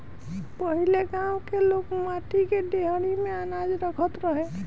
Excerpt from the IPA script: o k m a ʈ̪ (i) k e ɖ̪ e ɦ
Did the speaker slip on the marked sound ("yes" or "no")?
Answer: no